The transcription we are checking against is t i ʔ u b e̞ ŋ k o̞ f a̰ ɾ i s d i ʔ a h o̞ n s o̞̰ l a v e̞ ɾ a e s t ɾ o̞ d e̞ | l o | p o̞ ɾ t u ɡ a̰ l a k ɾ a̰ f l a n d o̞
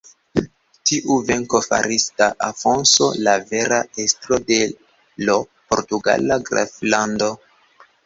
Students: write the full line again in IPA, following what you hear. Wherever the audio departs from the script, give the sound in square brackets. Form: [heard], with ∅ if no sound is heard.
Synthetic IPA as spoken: t i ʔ u [v] e̞ ŋ k o̞ f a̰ ɾ i s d [a] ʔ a [f] o̞ n s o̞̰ l a v e̞ ɾ a e s t ɾ o̞ d e̞ | l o | p o̞ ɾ t u ɡ a̰ l a [ɡ] ɾ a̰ f l a n d o̞